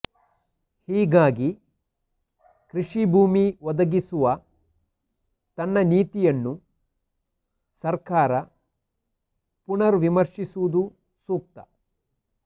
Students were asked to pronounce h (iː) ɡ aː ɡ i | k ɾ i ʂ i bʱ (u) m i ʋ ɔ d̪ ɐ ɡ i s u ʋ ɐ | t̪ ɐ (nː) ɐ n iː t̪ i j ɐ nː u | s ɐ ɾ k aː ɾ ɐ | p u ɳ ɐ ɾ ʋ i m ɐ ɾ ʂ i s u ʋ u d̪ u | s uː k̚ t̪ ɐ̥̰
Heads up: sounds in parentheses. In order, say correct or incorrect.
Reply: correct, incorrect: uː, correct

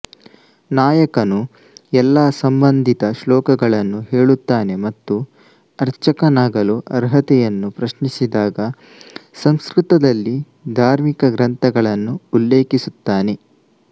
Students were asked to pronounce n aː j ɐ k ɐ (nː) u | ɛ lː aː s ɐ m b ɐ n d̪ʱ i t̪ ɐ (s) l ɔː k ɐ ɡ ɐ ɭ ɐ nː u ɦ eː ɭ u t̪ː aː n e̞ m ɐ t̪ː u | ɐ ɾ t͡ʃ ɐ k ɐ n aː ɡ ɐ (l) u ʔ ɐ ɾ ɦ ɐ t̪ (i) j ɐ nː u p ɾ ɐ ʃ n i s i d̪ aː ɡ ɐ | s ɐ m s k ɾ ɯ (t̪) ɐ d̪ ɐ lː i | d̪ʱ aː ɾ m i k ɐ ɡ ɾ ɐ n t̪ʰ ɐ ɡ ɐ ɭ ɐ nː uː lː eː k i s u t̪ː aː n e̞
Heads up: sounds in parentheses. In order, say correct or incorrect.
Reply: incorrect: n, incorrect: ʃ, correct, incorrect: ɛ, correct

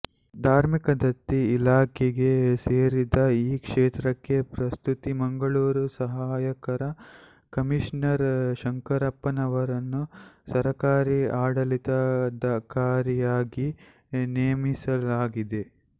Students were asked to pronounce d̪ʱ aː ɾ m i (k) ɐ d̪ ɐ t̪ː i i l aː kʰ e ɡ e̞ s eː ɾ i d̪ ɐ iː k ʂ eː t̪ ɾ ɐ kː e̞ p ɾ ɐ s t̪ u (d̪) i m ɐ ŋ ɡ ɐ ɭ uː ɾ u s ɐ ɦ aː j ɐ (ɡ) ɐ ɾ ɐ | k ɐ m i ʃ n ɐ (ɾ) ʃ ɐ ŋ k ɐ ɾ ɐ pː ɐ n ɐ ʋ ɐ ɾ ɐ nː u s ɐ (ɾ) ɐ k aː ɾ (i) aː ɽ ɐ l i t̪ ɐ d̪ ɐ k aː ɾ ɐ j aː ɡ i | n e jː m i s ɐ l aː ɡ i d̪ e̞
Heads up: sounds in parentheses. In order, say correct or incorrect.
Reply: correct, incorrect: t̪, incorrect: k, correct, correct, correct

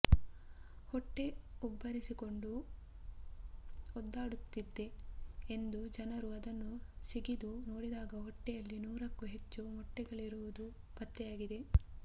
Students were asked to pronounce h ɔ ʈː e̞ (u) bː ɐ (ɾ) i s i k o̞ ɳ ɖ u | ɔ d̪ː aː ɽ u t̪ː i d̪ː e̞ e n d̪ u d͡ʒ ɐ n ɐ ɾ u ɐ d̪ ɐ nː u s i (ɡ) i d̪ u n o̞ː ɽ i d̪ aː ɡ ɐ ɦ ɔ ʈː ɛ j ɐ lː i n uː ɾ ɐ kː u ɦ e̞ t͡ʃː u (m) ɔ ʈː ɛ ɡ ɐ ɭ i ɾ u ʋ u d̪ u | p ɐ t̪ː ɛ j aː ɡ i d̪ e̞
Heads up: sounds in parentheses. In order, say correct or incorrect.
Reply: correct, correct, correct, correct

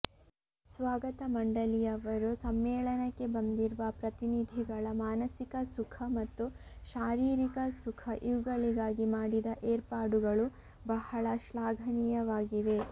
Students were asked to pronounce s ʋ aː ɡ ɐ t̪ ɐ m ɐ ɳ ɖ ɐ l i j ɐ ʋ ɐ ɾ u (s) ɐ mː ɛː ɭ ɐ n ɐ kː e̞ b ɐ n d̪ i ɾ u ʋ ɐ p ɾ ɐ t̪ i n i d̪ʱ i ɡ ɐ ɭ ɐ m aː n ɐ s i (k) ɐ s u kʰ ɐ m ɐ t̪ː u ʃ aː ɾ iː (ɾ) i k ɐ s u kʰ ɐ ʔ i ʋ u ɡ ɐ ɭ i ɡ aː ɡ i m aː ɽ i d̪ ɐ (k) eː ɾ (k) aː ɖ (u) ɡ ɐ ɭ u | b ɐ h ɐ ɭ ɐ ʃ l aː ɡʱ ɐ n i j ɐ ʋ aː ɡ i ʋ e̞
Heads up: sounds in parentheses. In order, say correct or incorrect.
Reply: correct, correct, correct, incorrect: ʔ, incorrect: p, correct

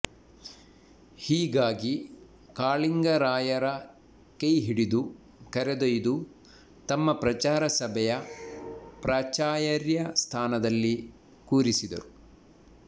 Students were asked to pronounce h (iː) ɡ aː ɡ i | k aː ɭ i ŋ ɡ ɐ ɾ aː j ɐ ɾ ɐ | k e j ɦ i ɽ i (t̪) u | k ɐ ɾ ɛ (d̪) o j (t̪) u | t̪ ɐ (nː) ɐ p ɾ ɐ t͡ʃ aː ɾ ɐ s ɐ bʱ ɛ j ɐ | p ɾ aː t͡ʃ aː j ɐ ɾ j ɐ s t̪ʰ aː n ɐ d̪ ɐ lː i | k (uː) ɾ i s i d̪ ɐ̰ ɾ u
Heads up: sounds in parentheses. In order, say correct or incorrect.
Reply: correct, incorrect: d̪, correct, incorrect: d̪, incorrect: mː, correct

